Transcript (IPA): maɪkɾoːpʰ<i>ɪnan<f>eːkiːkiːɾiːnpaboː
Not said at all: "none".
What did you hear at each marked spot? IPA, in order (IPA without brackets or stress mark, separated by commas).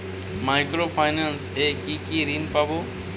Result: a, s